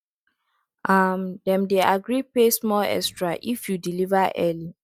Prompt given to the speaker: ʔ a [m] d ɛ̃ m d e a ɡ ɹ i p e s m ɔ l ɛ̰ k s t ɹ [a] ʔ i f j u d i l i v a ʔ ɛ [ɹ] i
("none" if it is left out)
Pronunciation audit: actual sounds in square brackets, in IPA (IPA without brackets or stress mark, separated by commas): m, a, l